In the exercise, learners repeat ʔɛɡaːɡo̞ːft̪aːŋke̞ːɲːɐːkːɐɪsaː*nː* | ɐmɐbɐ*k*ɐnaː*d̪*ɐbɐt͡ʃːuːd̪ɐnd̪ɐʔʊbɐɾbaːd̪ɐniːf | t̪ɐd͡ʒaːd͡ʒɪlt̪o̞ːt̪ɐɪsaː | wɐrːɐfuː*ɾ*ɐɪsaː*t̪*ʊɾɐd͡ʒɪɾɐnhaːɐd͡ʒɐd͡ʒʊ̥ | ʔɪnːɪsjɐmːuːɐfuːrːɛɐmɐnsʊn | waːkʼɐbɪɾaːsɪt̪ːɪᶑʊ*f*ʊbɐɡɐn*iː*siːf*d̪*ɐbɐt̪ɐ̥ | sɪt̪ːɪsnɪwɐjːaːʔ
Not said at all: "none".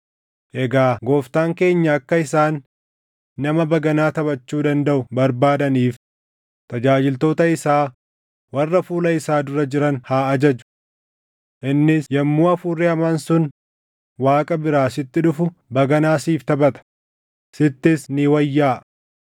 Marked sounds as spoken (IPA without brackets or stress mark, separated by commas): nː, ɡ, t̪, l, d̪, f, aː, t̪